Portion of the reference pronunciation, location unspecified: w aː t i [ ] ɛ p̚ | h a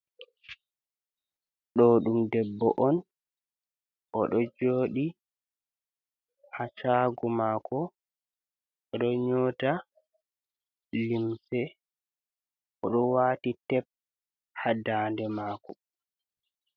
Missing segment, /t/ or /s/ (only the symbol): t